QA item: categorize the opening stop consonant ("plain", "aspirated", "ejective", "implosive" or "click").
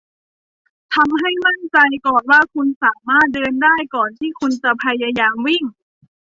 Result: aspirated